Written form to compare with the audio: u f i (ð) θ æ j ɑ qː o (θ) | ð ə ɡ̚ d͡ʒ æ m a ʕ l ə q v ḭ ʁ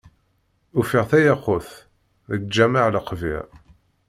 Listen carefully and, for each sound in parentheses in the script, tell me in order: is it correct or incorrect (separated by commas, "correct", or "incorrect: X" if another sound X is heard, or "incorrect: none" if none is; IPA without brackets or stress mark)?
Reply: incorrect: ʁ, correct